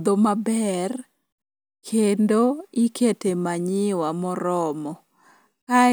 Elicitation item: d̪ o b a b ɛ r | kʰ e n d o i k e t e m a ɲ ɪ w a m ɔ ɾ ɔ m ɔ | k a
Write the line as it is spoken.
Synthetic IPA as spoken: d̪ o m a b ɛ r | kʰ e n d o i k e t e m a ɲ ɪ w a m ɔ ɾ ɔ m ɔ | k a

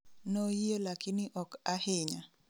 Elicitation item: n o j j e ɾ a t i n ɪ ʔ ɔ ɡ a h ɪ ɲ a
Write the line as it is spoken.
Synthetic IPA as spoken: n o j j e l a k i n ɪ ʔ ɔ k a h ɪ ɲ a

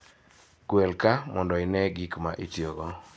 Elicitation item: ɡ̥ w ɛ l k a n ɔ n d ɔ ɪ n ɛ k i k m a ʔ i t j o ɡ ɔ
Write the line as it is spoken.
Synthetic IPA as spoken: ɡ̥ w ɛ l k a m ɔ n d ɔ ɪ n ɛ ɡ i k m a ʔ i t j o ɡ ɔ

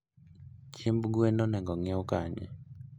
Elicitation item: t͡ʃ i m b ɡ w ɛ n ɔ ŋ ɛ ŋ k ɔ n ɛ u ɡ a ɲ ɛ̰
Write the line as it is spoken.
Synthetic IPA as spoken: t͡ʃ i m b ɡ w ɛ n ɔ n ɛ ŋ ɡ ɔ ŋ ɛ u k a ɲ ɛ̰

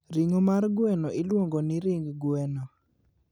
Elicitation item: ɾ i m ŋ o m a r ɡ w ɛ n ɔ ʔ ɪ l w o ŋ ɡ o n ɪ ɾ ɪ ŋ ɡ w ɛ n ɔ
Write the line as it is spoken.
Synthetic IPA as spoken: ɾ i ŋ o m a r ɡ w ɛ n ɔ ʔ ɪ l w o ŋ ɡ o n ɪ ɾ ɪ ŋ ɡ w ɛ n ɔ

